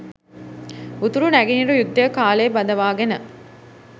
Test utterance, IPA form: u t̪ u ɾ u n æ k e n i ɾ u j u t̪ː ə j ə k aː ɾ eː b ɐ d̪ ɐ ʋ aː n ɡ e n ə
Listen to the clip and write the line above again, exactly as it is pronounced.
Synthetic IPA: u t̪ u ɾ u n æ ɡ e n i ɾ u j u d̪ː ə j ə k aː l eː b ɐ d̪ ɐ ʋ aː ɡ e n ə

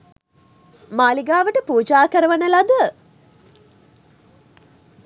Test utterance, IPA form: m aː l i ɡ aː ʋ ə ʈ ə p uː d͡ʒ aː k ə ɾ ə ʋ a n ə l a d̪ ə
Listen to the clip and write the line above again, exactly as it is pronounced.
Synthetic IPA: m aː l i ɡ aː ʋ ə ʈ ə p uː d͡ʒ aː k ə ɾ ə ʋ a n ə l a d̪ ə

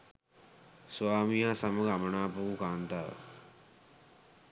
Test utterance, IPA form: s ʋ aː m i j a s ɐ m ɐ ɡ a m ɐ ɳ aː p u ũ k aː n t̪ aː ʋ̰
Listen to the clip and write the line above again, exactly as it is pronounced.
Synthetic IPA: s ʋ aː m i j a s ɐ m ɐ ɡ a m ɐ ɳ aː p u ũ k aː n t̪ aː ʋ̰

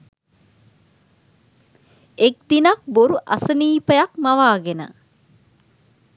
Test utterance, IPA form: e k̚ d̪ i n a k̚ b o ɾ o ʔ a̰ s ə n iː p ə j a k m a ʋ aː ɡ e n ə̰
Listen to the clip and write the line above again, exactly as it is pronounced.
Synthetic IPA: e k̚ d̪ i n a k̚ b o ɾ u ʔ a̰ s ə n iː p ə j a k m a ʋ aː ɡ e n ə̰

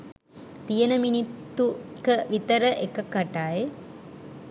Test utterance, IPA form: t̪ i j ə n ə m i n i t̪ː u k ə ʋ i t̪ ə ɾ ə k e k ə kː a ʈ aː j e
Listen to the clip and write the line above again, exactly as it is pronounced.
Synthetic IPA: t̪ i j ə n ə m i n i t̪ː u k ə ʋ i t̪ ə ɾ ə ʔ e k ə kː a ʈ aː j e

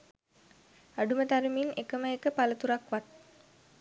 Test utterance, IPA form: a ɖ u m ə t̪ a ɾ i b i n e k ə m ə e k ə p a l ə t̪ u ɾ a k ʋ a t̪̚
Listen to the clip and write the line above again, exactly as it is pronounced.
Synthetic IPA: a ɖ u m ə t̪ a ɾ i m i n e k ə m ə e k ə p a l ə t̪ u ɾ a k ʋ a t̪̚

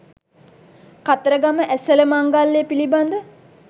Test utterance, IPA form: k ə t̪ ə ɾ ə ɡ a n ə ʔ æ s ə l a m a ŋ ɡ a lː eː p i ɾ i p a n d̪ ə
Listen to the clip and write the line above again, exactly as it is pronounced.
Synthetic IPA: k a t̪ ə ɾ ə ɡ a m ə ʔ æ s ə l ə m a ŋ ɡ a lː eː p i l i b a n d̪ ə

